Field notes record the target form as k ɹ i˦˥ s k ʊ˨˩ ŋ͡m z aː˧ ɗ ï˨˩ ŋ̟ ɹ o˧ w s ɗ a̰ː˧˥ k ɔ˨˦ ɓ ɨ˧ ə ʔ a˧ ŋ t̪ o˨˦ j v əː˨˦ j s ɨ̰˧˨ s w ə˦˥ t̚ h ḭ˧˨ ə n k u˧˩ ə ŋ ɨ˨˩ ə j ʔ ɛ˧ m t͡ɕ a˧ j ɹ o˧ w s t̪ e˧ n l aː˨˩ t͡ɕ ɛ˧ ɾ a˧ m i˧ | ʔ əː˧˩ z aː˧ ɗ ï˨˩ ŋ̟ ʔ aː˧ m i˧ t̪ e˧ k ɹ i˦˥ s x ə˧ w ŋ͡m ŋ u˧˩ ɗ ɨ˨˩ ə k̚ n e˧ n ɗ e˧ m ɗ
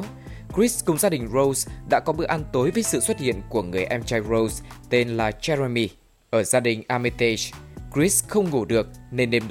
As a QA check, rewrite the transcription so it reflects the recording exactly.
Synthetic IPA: k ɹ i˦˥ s k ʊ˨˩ ŋ͡m z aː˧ ɗ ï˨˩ ŋ̟ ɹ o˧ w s ɗ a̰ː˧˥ k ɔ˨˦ ɓ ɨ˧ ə ʔ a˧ n t̪ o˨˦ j v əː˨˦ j s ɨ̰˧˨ s w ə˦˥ t̚ h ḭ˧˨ ə n k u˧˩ ə ŋ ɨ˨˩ ə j ʔ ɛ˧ m t͡ɕ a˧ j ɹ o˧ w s t̪ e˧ n l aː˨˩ t͡ɕ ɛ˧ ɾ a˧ m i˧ | ʔ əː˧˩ z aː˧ ɗ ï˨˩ ŋ̟ ʔ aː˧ m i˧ t̪ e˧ k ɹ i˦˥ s x ə˧ w ŋ͡m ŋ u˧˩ ɗ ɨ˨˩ ə k̚ n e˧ n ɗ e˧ m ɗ